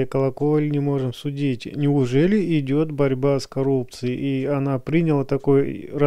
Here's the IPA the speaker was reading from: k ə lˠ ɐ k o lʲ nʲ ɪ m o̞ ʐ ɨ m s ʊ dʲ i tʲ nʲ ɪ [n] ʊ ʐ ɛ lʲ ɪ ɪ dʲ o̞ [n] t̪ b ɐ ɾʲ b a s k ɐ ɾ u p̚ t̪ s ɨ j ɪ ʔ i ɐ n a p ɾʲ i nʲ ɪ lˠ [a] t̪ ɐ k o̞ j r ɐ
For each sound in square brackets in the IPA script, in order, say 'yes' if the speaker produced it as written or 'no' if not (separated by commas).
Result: no, no, no